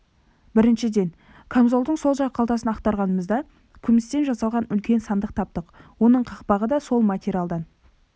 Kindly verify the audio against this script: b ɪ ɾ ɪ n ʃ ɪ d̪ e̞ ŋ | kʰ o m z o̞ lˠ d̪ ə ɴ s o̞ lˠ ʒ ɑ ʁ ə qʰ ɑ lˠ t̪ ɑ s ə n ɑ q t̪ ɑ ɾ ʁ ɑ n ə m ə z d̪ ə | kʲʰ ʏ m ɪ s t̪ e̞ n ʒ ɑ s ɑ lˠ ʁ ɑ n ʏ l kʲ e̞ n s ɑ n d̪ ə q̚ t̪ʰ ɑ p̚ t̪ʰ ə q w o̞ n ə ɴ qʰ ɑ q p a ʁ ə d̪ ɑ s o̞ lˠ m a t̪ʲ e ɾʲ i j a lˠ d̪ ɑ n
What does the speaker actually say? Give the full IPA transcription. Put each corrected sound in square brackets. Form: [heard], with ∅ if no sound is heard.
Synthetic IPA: b ɪ ɾ ɪ n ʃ ɪ d̪ e̞ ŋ | kʰ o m z o̞ lˠ d̪ ə ɴ s o̞ lˠ ʒ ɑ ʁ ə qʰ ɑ lˠ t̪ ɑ s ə n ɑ q t̪ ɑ ɾ ʁ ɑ n ə m ə z d̪ [ɑ] | kʲʰ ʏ m ɪ s t̪ e̞ n ʒ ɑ s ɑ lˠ ʁ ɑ n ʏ l kʲ e̞ n s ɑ n d̪ ə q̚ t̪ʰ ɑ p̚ [t̪] ə q w o̞ n ə ɴ qʰ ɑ q p [ɑ] ʁ ə d̪ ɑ s o̞ lˠ m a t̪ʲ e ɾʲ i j a lˠ d̪ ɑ n